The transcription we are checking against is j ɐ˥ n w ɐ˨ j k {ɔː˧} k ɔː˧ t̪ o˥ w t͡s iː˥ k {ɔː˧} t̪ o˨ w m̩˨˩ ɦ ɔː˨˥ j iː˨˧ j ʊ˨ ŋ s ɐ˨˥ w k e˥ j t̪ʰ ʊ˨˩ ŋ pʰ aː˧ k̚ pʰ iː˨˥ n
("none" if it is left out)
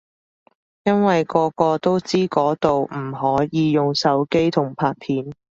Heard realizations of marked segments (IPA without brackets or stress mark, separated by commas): ɔː˧, ɔː˨˥